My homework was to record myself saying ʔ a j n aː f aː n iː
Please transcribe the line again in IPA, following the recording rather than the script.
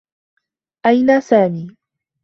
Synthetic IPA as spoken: ʔ a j n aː s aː m iː